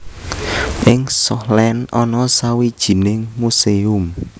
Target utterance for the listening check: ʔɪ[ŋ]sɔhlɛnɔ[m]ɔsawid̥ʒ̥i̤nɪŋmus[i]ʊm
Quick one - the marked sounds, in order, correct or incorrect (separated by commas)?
correct, incorrect, incorrect